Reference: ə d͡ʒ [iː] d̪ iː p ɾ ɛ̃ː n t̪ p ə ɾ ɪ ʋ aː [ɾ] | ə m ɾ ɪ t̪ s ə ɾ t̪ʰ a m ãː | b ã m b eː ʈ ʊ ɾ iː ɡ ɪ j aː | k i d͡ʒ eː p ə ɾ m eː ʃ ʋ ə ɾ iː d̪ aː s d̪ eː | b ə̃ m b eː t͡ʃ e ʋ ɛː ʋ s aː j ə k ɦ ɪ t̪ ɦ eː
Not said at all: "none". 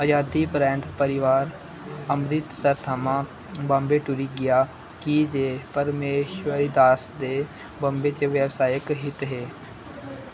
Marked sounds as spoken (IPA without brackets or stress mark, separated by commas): aː, ɾ